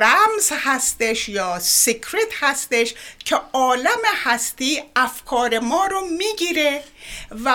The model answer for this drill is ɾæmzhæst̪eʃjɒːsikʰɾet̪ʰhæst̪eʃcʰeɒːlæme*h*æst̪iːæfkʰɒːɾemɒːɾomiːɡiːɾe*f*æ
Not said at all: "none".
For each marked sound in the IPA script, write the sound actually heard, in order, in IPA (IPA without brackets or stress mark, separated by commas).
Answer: h, v